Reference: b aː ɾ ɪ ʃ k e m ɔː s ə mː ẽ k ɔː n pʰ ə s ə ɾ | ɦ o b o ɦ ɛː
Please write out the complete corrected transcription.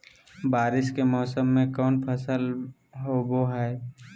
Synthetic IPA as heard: b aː ɾ ɪ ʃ k e m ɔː s ə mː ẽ k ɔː n pʰ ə s ə l | ɦ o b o ɦ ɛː